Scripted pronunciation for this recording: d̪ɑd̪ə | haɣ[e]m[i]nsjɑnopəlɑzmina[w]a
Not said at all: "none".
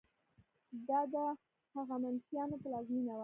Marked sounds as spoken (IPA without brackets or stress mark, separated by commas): a, a, w